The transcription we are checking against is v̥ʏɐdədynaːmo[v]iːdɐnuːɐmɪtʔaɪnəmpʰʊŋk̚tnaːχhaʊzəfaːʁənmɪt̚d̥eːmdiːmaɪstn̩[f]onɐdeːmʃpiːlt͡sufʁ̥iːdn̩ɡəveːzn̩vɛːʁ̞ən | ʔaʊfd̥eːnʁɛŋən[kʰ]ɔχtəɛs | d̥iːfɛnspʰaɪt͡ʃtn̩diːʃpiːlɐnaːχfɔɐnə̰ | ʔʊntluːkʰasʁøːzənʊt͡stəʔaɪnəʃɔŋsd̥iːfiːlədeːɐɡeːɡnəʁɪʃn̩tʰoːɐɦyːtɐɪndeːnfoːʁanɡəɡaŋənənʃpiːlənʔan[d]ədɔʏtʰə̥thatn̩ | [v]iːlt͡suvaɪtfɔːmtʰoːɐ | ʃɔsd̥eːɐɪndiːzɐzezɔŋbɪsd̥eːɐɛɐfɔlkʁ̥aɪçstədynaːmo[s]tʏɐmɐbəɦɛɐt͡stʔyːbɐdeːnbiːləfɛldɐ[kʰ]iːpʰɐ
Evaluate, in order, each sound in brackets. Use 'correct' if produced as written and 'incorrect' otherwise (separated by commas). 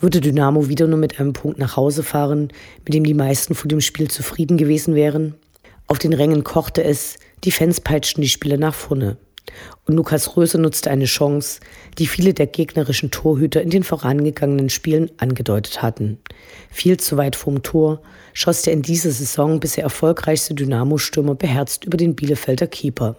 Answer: correct, correct, correct, incorrect, incorrect, incorrect, correct